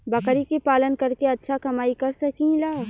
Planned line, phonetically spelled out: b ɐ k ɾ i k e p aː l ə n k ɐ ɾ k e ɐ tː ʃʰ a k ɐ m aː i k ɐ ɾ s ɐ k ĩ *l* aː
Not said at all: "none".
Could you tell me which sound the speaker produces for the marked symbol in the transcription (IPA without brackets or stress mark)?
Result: l